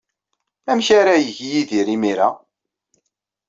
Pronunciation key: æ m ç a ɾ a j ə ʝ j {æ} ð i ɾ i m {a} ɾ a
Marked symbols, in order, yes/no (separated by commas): no, no